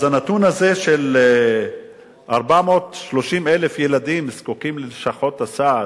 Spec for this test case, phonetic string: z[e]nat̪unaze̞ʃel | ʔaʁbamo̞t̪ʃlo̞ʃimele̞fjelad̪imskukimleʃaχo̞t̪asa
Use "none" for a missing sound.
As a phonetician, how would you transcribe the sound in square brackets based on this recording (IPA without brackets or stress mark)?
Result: a